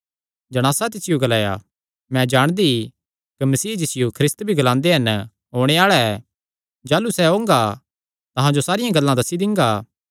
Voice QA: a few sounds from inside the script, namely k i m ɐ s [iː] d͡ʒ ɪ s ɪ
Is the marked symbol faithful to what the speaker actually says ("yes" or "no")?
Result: yes